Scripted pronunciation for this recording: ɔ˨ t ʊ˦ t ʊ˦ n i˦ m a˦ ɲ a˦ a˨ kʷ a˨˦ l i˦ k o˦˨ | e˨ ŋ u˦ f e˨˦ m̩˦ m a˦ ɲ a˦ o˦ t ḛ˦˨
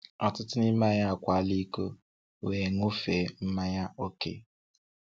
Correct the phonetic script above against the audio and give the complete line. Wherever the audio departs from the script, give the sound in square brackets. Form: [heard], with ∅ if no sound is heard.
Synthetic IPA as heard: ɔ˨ t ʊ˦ t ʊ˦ n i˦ m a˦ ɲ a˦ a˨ kʷ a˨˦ l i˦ k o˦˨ | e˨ ŋ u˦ f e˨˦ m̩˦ m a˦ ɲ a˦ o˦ [k] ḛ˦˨